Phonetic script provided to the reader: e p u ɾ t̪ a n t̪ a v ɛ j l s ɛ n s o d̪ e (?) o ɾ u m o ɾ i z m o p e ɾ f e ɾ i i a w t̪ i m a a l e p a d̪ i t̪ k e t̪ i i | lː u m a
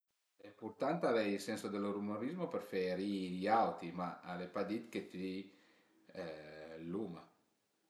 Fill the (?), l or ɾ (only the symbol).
l